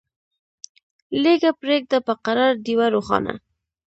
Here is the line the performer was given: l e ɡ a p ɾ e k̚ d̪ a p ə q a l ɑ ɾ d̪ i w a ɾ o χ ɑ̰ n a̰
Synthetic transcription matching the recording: l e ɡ a p ɾ e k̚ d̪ a p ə q a ɾ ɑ ɾ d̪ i w a ɾ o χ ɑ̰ n a̰